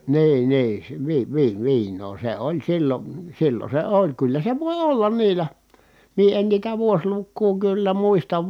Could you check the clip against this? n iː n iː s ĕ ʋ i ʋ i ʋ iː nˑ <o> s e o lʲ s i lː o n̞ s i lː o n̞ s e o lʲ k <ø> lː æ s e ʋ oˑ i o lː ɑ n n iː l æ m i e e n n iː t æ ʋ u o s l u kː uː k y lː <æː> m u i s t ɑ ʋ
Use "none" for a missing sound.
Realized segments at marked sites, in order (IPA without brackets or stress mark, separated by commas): oː, y, æ